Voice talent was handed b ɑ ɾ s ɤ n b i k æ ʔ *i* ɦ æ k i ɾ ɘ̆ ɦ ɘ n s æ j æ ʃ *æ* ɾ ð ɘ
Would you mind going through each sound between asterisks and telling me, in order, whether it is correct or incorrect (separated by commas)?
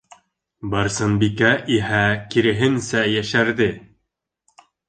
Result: correct, correct